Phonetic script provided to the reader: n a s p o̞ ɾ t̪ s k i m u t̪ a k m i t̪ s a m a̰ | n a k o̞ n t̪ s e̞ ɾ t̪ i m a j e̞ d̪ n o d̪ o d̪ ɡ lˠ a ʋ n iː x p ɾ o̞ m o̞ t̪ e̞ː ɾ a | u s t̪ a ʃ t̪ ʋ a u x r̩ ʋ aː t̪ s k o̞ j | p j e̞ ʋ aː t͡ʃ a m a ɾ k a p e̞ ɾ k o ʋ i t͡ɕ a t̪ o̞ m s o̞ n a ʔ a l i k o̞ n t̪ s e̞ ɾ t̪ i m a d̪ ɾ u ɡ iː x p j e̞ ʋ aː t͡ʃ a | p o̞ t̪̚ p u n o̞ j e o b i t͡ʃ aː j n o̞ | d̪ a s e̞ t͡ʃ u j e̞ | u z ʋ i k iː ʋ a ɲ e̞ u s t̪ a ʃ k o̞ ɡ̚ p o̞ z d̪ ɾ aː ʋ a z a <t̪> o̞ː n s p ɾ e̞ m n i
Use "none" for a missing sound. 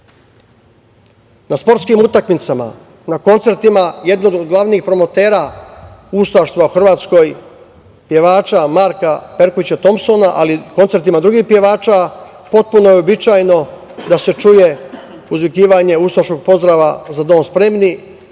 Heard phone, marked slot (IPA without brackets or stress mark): d̪